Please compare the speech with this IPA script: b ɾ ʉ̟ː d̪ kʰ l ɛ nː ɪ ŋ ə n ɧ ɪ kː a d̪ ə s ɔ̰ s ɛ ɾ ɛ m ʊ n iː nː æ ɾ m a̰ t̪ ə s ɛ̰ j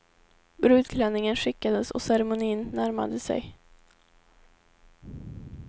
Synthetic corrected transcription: b ɾ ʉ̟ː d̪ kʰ l ɛ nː ɪ ŋ ə n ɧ ɪ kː a d̪ ə s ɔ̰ s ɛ ɾ ɛ m ʊ n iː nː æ ɾ m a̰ d̪ ə s ɛ̰ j